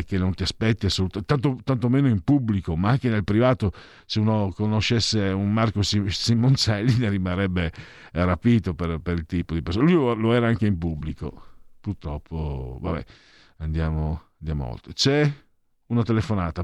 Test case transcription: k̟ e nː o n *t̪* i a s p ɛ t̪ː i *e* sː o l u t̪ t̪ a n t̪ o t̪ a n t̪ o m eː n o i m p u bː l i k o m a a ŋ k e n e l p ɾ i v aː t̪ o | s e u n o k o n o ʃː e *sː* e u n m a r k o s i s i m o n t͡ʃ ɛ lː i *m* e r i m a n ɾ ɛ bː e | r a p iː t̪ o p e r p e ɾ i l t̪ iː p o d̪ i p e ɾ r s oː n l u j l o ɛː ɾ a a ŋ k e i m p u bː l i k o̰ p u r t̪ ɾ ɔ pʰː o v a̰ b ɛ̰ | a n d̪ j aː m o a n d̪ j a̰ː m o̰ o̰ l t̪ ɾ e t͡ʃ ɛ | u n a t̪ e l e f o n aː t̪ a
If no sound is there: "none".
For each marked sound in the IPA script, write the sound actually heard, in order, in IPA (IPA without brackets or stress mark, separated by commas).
t̪, a, sː, n